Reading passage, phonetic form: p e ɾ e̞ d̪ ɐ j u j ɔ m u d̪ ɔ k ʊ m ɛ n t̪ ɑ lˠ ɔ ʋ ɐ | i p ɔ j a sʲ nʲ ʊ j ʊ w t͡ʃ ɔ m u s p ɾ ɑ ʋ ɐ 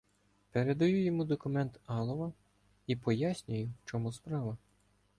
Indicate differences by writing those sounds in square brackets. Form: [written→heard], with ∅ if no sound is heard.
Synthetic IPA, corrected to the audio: p e ɾ e̞ d̪ ɐ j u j ɔ m u d̪ ɔ k ʊ m ɛ n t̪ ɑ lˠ ɔ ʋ ɐ | i p ɔ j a sʲ nʲ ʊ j ʊ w t͡ʃ ɔ m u s p ɾ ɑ ʋ ɐ